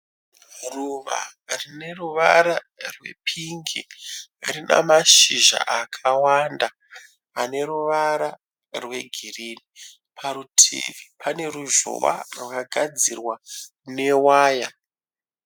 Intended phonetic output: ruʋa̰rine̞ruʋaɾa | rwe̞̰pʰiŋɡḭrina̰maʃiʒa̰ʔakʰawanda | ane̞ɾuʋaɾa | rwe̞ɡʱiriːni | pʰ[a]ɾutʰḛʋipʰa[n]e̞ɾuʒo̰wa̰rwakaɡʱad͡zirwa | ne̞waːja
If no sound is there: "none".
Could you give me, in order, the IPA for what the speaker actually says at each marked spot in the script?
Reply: a, n

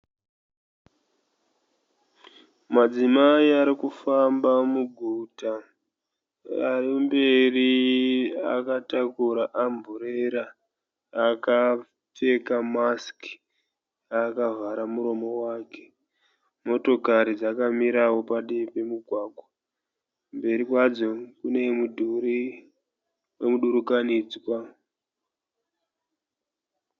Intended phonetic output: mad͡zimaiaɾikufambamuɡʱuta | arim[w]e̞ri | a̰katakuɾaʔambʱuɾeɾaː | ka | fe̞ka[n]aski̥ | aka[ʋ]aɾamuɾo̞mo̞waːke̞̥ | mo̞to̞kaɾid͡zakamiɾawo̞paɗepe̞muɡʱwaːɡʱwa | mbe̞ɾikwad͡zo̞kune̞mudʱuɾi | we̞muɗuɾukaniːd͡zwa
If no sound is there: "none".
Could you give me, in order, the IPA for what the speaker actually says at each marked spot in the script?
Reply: b, m, v

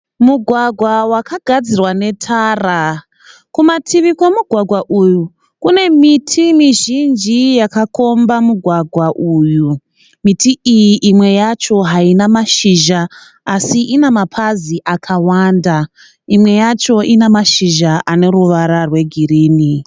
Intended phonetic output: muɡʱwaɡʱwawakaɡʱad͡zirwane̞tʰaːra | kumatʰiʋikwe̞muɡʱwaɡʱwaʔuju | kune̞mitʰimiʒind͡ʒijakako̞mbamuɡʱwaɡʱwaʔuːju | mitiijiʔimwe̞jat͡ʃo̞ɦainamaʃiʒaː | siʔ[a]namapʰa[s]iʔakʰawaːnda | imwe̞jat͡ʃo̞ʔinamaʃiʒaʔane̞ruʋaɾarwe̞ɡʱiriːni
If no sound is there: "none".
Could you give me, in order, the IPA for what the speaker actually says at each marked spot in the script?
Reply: i, z

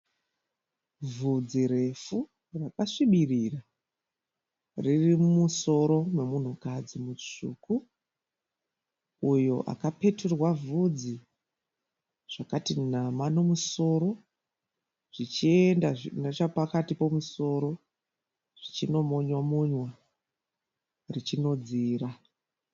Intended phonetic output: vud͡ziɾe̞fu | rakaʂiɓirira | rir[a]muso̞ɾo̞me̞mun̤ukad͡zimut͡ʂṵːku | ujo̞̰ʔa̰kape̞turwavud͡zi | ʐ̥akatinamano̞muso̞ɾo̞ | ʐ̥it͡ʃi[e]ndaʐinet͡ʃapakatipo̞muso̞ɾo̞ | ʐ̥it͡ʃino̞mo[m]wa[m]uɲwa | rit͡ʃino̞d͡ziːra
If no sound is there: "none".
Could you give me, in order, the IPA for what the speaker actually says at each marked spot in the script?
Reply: i, e, ɲ, m

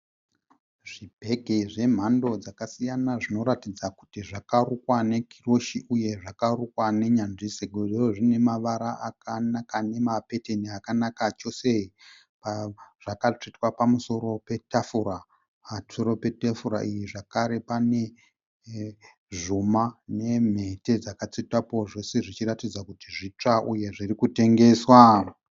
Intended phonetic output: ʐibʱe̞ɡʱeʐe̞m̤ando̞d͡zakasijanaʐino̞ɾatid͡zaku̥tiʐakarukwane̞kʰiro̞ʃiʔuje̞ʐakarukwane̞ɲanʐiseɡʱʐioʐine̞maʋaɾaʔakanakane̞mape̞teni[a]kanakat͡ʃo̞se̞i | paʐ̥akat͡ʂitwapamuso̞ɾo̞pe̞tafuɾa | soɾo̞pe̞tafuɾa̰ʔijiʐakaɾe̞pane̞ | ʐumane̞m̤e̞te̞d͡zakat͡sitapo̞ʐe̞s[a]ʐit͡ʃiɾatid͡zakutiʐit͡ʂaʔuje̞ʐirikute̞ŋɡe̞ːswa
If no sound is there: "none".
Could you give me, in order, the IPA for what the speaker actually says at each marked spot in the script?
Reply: a, e

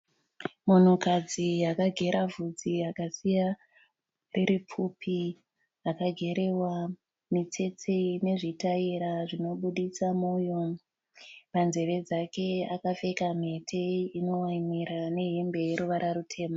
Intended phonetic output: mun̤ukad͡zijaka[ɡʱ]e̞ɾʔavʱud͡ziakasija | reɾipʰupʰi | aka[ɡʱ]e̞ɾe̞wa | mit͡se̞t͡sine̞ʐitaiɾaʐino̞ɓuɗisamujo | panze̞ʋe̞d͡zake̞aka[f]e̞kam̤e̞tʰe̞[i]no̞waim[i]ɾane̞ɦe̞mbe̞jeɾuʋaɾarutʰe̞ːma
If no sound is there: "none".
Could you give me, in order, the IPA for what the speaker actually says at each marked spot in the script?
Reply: ɡʱ, ɡʱ, f, i, i

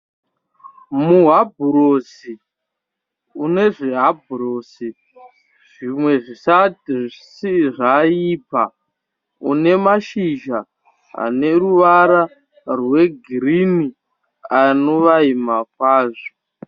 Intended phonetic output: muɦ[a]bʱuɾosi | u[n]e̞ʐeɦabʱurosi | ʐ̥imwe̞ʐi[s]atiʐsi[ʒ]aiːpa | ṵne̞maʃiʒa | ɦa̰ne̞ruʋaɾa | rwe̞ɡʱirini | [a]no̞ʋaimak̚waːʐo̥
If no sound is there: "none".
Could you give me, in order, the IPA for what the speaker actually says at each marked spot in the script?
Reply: a, n, s, ʐ, a

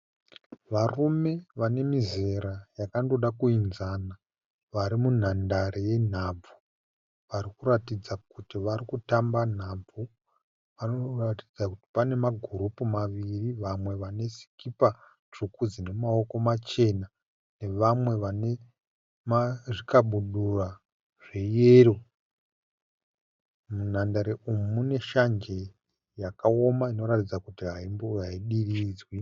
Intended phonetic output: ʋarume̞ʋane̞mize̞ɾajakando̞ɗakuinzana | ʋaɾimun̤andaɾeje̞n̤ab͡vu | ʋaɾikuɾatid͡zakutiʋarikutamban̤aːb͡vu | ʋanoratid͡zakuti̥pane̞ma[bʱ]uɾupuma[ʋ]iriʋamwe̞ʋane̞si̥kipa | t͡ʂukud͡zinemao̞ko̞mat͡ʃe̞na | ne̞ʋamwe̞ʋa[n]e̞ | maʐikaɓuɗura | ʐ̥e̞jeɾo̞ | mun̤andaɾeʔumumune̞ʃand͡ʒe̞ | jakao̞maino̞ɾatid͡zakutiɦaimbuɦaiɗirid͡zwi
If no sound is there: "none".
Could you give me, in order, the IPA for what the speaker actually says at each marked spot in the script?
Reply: ɡʱ, ʋ, n

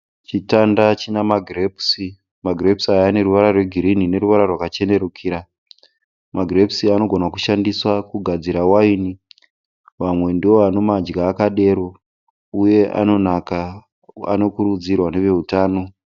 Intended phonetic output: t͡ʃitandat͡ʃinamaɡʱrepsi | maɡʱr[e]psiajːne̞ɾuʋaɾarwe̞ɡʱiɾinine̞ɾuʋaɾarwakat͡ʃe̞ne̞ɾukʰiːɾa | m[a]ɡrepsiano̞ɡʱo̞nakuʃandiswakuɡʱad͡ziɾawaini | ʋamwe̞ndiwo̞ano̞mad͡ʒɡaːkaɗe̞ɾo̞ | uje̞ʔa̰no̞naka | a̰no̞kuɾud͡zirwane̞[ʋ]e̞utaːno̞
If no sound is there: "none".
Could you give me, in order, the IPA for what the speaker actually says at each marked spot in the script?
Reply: e, a, ʋ

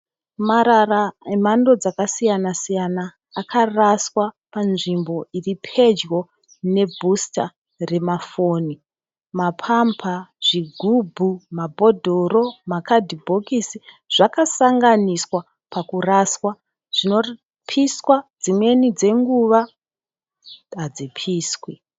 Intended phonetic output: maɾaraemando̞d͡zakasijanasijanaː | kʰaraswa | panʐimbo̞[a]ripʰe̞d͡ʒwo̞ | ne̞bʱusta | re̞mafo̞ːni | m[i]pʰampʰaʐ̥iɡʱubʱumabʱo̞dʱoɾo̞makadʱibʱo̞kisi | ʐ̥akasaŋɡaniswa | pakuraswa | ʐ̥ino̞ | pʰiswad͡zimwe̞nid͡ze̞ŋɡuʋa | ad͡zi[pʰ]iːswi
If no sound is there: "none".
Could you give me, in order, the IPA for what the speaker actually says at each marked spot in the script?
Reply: i, a, pʰ

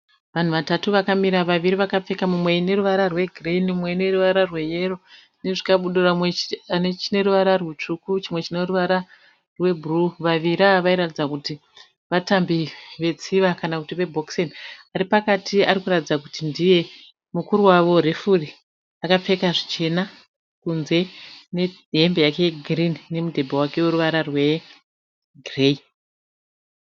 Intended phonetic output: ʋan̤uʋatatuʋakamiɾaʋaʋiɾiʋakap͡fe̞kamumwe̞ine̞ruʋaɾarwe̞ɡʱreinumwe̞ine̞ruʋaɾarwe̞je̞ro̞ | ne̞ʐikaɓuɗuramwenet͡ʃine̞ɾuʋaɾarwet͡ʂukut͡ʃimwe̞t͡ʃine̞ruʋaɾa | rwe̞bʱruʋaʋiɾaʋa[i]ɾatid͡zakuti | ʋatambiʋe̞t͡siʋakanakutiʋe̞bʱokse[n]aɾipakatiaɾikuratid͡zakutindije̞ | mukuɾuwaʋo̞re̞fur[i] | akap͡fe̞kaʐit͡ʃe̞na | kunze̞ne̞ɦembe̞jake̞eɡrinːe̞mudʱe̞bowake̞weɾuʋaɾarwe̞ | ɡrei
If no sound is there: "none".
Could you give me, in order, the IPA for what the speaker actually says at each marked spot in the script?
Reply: i, n, i

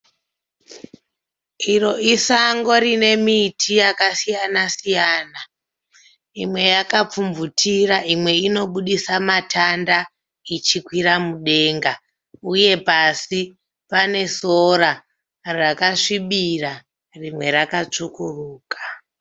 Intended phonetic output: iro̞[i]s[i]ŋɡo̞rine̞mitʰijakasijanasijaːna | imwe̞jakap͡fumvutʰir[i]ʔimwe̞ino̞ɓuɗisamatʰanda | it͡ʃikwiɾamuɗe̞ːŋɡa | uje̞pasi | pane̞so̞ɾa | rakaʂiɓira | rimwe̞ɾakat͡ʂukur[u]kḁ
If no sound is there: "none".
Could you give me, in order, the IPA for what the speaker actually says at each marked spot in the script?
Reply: i, a, a, uː

